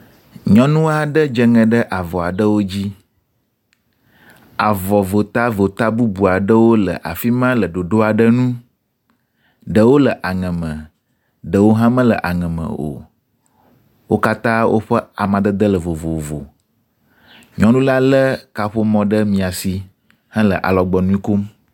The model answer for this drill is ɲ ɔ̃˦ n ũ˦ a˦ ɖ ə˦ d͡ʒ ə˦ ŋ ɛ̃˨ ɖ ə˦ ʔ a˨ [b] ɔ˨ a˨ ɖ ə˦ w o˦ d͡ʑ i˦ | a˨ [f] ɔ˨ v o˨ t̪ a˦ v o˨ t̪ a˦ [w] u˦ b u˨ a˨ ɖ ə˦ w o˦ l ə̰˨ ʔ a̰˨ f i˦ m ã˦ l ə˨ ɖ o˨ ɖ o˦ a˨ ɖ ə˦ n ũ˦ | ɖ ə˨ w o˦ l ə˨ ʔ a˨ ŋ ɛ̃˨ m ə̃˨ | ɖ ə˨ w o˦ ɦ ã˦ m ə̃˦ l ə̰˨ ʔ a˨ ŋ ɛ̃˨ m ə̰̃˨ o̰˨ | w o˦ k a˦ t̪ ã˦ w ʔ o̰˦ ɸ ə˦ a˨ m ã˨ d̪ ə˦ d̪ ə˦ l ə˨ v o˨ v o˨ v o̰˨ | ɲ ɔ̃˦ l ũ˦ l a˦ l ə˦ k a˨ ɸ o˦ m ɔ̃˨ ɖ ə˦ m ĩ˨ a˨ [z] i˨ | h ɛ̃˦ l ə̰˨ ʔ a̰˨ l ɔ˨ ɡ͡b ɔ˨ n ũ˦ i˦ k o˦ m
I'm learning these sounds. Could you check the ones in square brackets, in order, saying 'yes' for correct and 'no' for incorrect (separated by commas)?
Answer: no, no, no, no